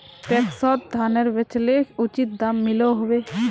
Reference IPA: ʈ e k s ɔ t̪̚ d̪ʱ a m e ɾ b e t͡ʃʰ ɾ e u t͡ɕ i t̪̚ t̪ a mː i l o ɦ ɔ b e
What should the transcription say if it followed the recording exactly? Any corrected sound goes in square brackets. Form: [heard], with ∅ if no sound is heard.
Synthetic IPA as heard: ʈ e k s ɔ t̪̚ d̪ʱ a [n] e ɾ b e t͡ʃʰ [l] e u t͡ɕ i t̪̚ [d̪] a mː i l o ɦ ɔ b e